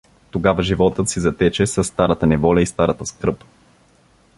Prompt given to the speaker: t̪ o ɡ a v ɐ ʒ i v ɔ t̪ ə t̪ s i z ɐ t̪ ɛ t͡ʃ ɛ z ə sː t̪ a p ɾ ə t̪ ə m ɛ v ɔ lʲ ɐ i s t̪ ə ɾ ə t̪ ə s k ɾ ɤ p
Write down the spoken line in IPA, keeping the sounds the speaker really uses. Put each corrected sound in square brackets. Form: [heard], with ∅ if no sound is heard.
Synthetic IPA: t̪ o ɡ a v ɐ ʒ i v ɔ t̪ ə t̪ s i z ɐ t̪ ɛ t͡ʃ ɛ [s] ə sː t̪ a [∅] ɾ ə t̪ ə [n] ɛ v ɔ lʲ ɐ i s t̪ [a] ɾ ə t̪ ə s k ɾ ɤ p